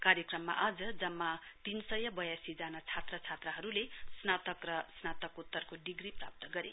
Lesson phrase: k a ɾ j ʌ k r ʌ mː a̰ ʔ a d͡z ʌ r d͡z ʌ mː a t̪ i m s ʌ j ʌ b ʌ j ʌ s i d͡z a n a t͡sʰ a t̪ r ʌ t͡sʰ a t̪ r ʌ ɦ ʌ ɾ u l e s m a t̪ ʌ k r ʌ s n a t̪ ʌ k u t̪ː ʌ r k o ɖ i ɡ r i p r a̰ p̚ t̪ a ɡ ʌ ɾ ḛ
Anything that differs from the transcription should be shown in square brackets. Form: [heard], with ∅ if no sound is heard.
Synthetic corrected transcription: k a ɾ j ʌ k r ʌ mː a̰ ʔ a d͡z ʌ [∅] d͡z ʌ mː a t̪ i [n] s ʌ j ʌ b ʌ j [a] s i d͡z a n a t͡sʰ a t̪ r ʌ t͡sʰ a t̪ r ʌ ɦ ʌ ɾ u l e s [n] a t̪ ʌ k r ʌ s n a t̪ ʌ k u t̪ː ʌ r k o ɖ i ɡ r i p r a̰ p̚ t̪ [ʌ] ɡ ʌ ɾ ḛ